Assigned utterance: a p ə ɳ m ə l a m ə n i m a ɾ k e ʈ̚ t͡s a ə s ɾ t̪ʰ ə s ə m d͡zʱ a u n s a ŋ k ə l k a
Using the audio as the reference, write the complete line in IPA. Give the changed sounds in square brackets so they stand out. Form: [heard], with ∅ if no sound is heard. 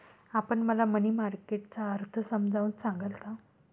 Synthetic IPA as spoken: a p ə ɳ m ə l a m ə n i m a ɾ k e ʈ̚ t͡s a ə [∅] ɾ t̪ʰ ə s ə m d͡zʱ a u n s a ŋ [ɡ] ə l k a